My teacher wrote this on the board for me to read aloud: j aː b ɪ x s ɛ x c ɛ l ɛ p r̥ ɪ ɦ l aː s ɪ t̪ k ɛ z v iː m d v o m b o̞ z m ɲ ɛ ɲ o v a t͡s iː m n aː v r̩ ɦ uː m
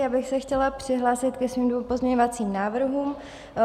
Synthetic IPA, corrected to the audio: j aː b ɪ x s ɛ x c ɛ l a p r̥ ɪ ɦ l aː s ɪ t̪ k ɛ s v iː m d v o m p o̞ z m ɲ ɛ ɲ o v a t͡s iː m n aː v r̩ ɦ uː m